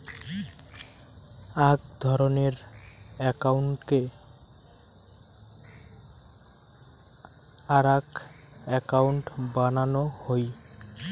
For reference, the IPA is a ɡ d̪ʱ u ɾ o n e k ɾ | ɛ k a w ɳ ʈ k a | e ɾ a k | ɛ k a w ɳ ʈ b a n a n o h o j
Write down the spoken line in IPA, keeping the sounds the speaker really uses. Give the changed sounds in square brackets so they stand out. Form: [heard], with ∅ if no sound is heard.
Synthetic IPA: a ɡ d̪ʱ [ɔ] ɾ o n e [∅] ɾ | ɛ k a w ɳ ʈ k [e] | [a] ɾ a k | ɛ k a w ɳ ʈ b a n a n o h o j